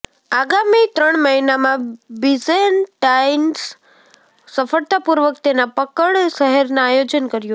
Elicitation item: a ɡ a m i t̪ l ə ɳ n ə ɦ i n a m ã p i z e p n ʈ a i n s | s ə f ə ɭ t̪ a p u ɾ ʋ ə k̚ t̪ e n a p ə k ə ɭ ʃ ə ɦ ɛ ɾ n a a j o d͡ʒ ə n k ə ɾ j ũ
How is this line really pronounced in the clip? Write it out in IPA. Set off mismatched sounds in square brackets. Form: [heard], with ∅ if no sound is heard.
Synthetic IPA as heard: a ɡ a m i t̪ [ɾ] ə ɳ [m] ə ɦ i n a m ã [b] i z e [∅] n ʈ a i n s | s ə f ə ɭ t̪ a p u ɾ ʋ ə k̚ t̪ e n a p ə k ə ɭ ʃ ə ɦ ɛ ɾ n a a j o d͡ʒ ə n k ə ɾ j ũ

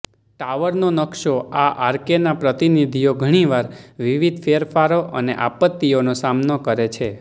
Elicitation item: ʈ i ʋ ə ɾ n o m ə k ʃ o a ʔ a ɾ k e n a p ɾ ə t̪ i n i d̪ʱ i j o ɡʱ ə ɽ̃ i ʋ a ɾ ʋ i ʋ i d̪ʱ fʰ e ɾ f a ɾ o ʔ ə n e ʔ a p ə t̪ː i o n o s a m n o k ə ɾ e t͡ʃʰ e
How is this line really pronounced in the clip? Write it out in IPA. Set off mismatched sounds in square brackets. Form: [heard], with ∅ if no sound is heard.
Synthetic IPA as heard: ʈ [a] ʋ ə ɾ n o [n] ə k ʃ o a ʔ a ɾ k e n a p ɾ ə t̪ i n i d̪ʱ i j o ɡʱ ə ɽ̃ i ʋ a ɾ ʋ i ʋ i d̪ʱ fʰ e ɾ f a ɾ o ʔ ə n e ʔ a p ə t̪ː i o n o s a m n o k ə ɾ e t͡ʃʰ e

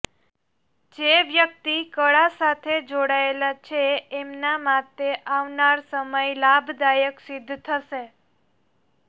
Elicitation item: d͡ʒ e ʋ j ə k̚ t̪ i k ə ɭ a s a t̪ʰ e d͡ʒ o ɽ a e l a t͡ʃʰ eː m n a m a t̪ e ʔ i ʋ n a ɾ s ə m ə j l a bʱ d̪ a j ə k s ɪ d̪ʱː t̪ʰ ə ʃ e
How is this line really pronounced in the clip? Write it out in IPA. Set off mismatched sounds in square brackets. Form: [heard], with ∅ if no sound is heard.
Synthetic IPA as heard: d͡ʒ e ʋ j ə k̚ t̪ i k ə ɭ a s a t̪ʰ e d͡ʒ o ɽ a e l a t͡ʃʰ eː m n a m a t̪ e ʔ [a] ʋ n a ɾ s ə m ə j l a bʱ d̪ a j ə k s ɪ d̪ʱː t̪ʰ ə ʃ e

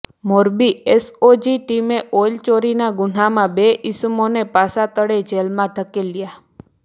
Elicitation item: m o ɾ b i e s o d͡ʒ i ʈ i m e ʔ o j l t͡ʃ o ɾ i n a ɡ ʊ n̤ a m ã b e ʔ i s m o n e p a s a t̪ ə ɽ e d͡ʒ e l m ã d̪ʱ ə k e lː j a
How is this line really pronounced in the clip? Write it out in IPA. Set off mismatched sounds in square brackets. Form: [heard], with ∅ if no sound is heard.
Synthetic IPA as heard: m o ɾ b i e s o d͡ʒ i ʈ i m e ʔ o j l t͡ʃ o ɾ i n a ɡ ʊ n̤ a m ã b e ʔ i s m o n e p a s a t̪ ə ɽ e d͡ʒ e l m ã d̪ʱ ə k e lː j a

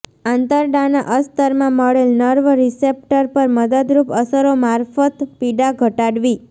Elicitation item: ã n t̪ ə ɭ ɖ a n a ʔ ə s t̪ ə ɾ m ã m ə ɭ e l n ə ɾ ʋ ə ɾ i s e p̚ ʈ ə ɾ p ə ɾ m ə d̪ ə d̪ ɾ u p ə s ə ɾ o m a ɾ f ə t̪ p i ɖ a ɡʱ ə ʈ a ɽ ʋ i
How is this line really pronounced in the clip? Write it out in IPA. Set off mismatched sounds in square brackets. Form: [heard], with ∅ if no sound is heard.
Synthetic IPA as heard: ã n t̪ ə [ɾ] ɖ a n a ʔ ə s t̪ ə ɾ m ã m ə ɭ e l n ə ɾ ʋ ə ɾ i s e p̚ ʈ ə ɾ p ə ɾ m ə d̪ ə d̪ ɾ u p ə s ə ɾ o m a ɾ f ə t̪ p i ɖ a ɡʱ ə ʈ a ɽ ʋ i

